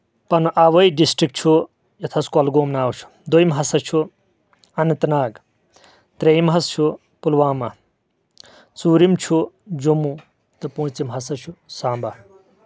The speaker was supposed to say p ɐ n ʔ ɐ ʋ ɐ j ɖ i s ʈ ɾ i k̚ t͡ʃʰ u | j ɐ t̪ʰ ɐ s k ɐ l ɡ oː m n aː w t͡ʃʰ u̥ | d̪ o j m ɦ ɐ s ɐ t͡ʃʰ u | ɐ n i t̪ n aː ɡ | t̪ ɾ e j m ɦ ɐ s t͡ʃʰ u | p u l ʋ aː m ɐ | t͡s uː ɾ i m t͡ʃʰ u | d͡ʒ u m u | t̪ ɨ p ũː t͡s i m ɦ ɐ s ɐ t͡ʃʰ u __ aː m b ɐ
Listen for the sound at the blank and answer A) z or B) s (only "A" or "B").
B